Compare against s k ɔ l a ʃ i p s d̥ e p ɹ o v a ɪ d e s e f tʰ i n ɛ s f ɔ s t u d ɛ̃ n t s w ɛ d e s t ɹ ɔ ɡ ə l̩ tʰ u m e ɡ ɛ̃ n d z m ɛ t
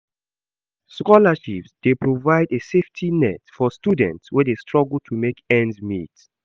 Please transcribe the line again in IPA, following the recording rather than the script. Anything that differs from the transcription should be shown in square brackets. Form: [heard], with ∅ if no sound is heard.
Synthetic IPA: s k ɔ l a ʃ i p s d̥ e p ɹ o v a ɪ d e s e f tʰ i n ɛ [t] f ɔ s t u d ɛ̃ n t s w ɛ d e s t ɹ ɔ ɡ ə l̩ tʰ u m e [k] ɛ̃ n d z m [i] t